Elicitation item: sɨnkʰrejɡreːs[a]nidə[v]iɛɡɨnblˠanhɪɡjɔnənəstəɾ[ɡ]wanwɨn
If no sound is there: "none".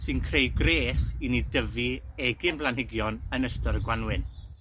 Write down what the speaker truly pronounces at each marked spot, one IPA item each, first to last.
i, v, ɡ

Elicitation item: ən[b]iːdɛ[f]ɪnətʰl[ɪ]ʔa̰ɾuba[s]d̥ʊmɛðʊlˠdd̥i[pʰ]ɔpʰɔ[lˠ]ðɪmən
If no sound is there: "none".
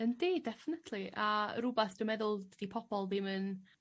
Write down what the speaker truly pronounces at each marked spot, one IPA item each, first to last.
d, f, i, θ, pʰ, lˠ

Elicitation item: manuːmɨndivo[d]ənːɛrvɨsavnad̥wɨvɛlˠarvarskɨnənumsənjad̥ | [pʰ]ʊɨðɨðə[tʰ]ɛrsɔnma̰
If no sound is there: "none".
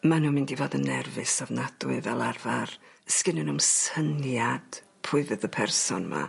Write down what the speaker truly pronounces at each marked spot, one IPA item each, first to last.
d, pʰ, pʰ

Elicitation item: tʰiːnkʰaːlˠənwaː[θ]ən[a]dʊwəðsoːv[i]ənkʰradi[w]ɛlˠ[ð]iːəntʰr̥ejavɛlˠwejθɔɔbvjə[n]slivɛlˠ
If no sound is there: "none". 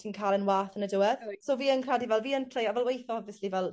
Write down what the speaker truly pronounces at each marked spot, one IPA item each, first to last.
θ, ə, iː, v, v, none

